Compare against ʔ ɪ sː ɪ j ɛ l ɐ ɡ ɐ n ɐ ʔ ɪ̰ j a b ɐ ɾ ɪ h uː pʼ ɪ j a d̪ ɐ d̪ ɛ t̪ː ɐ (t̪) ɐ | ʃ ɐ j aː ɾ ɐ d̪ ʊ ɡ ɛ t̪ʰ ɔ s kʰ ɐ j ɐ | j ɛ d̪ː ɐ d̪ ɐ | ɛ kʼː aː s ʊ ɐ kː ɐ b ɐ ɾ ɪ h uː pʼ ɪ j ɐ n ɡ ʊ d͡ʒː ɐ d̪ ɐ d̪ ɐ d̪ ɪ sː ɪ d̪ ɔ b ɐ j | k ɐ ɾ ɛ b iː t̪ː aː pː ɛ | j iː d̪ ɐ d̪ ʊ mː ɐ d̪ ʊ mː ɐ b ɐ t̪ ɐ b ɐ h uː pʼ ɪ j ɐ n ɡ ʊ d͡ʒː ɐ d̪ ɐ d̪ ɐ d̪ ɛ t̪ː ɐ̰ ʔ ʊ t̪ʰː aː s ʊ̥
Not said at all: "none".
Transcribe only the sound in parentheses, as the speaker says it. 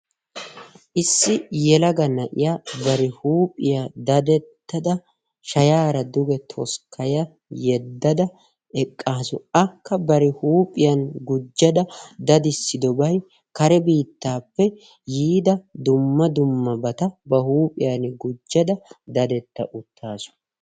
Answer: d̪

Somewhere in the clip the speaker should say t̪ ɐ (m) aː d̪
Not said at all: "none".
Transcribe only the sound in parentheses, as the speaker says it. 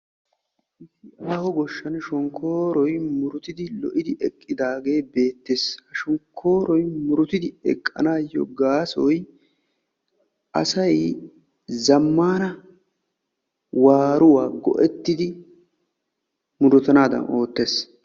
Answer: n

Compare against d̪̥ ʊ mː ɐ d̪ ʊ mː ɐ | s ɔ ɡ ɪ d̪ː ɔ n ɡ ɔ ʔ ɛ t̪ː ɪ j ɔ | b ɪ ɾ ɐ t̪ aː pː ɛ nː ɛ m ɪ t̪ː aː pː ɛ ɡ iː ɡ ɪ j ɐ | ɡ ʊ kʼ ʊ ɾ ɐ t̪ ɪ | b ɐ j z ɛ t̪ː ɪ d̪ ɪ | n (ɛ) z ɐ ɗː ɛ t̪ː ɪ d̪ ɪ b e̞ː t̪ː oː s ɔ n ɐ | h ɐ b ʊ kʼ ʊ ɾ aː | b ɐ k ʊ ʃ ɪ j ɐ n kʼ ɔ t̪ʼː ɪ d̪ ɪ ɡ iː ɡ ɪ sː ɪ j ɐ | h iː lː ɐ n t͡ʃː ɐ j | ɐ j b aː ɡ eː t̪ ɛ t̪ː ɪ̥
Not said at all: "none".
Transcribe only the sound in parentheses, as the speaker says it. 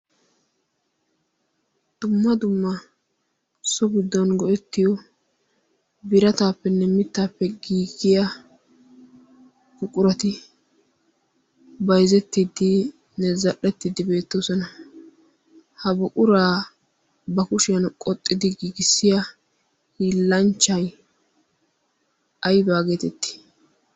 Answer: ɛ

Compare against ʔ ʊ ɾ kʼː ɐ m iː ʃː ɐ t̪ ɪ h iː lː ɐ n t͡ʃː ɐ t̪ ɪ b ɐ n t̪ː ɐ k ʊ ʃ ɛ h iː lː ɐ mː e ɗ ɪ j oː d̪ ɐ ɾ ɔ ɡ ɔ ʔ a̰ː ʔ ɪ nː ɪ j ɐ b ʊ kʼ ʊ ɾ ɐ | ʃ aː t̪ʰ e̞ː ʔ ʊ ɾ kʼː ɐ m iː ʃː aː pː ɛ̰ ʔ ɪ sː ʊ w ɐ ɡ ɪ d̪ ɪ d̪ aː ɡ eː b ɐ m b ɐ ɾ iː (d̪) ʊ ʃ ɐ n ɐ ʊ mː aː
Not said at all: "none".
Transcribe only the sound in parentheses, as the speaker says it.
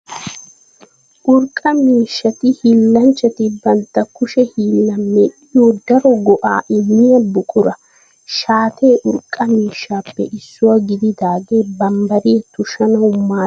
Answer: t̪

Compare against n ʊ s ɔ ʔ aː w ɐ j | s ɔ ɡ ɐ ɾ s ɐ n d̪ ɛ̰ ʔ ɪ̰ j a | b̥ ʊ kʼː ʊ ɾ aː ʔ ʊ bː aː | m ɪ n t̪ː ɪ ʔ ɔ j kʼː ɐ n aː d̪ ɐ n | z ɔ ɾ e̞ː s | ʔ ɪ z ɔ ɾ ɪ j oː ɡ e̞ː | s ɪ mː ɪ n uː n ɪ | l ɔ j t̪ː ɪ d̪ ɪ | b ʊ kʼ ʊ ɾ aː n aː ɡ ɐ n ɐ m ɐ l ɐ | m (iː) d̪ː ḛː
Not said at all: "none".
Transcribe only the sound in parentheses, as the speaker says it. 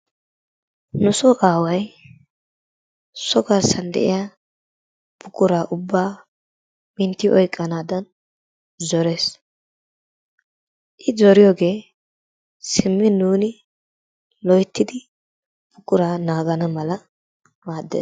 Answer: aː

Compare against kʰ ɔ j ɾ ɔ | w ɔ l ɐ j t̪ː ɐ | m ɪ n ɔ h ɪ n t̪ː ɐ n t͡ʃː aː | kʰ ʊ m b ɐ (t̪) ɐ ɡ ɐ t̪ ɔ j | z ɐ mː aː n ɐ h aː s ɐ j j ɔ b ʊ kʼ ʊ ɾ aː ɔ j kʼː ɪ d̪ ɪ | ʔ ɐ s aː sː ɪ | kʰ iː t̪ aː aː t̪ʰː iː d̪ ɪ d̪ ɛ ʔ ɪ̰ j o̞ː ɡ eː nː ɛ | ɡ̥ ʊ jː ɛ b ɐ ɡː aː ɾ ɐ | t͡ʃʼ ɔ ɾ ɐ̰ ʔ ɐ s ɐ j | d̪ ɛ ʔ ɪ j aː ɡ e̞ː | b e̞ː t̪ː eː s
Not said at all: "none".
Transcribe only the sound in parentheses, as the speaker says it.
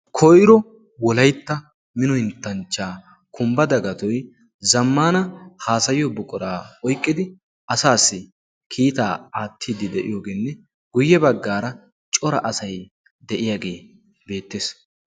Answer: d̪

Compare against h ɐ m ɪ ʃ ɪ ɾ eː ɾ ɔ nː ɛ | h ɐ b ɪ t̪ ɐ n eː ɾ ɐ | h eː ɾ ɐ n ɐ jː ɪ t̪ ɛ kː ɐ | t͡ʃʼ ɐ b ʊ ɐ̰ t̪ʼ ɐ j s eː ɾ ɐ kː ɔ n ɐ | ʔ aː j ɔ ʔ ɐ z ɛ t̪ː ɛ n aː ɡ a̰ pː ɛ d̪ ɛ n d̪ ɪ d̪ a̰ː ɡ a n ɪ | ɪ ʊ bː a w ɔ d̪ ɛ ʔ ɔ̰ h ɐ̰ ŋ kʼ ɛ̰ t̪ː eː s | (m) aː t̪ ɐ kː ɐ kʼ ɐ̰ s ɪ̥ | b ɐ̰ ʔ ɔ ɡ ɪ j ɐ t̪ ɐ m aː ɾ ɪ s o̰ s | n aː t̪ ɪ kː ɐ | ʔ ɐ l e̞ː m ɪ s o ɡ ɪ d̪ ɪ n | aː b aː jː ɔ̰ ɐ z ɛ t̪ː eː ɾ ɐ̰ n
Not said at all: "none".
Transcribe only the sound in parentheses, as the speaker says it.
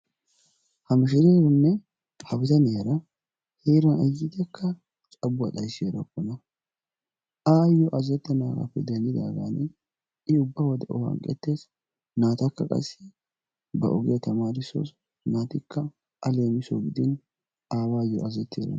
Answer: n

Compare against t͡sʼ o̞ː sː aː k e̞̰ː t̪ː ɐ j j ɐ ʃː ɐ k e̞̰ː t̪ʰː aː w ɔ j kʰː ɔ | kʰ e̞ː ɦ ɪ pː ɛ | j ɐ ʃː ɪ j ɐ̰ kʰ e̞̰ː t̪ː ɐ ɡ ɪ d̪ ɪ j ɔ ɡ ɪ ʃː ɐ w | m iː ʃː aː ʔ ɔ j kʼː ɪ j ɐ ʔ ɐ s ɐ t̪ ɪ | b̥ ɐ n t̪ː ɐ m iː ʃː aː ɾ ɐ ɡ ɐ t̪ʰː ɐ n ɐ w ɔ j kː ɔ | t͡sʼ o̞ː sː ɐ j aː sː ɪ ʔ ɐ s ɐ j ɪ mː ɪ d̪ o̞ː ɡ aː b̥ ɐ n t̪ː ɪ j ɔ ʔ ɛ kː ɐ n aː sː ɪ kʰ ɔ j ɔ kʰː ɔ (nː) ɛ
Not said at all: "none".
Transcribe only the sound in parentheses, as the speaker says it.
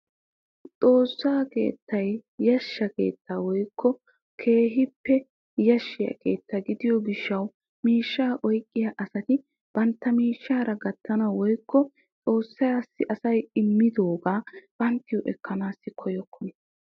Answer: n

